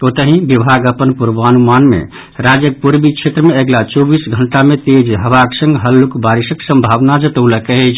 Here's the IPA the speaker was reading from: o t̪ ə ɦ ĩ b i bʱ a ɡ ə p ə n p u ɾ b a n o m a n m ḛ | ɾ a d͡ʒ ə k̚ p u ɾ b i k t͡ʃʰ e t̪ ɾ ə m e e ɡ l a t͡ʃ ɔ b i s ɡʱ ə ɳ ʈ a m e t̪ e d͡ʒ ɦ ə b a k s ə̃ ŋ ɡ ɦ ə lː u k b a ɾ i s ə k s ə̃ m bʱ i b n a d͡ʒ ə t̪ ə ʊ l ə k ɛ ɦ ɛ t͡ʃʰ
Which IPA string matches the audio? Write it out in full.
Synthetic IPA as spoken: o t̪ ə ɦ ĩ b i bʱ a ɡ ə p ə n p u ɾ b a n u m a n m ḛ | ɾ a d͡ʒ ə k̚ p u ɾ b i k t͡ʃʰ e t̪ ɾ ə m e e ɡ l a t͡ʃ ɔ b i s ɡʱ ə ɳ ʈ a m e t̪ e d͡ʒ ɦ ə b a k s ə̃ ŋ ɡ ɦ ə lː u k b a ɾ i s ə k s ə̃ m bʱ a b n a d͡ʒ ə t̪ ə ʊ l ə k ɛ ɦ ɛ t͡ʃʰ

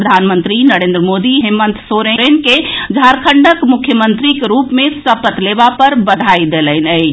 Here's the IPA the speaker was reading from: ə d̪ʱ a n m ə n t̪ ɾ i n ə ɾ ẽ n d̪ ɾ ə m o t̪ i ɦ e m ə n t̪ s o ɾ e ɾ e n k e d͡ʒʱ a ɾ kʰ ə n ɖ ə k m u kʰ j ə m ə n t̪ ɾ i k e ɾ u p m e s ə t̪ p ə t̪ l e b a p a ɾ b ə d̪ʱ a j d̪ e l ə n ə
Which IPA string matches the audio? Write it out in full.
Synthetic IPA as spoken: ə d̪ʱ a n m ə n t̪ ɾ i n ə ɾ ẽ n d̪ ɾ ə m o d̪ i ɦ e m ə n t̪ s o ɾ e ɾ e n k e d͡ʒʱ a ɾ kʰ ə ɳ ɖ ə k m u kʰ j ə m ə n t̪ ɾ i k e ɾ u p m e s ə p ə t̪ l e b a p ə ɾ b ə d̪ʱ a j d̪ e l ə n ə

